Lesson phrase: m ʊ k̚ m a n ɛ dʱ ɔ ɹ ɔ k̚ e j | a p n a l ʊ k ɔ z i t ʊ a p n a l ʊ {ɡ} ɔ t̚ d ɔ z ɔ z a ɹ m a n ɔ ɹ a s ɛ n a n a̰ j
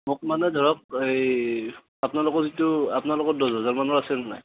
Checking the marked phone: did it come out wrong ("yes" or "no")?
yes